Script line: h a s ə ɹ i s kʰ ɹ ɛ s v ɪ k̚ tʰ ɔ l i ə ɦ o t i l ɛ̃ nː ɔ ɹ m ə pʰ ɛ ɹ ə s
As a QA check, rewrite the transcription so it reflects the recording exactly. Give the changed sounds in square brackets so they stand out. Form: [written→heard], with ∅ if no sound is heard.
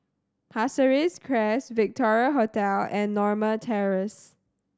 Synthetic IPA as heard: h a s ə ɹ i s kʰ ɹ ɛ s v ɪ k̚ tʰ ɔ [l→ɹ] i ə ɦ o t [i→ɛ] l ɛ̃ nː ɔ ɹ m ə [pʰ→tʰ] ɛ ɹ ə s